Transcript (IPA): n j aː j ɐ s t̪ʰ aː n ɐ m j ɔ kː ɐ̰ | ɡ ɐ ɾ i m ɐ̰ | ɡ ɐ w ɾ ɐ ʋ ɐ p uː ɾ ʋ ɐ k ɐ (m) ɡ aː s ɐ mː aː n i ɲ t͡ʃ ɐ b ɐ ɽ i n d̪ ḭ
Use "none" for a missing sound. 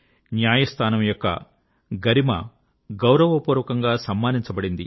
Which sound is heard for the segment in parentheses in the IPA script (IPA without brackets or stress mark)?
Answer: ŋ